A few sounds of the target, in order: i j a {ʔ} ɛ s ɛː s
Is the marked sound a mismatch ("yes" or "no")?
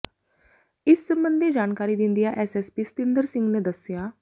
no